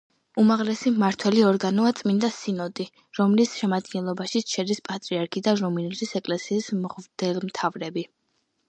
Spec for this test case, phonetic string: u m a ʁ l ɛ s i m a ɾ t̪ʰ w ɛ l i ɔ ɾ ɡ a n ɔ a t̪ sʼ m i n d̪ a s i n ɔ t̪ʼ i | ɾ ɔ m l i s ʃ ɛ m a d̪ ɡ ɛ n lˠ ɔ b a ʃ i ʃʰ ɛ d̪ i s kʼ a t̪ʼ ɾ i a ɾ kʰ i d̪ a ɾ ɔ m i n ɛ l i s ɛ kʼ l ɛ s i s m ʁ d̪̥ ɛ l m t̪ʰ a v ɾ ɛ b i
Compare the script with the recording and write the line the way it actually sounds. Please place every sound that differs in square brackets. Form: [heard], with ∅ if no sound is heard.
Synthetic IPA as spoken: u m a ʁ l ɛ s i m a ɾ t̪ʰ w ɛ l i ɔ ɾ ɡ a n ɔ a t̪ sʼ m i n d̪ a s i n ɔ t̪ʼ i | ɾ ɔ m l i s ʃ ɛ m a d̪ ɡ ɛ n lˠ ɔ b a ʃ i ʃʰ ɛ d̪ i s [pʼ] a t̪ʼ ɾ i a ɾ kʰ i d̪ a ɾ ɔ m i n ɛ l i s ɛ kʼ l ɛ s [iː] s m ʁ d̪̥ ɛ l m t̪ʰ a v ɾ ɛ b i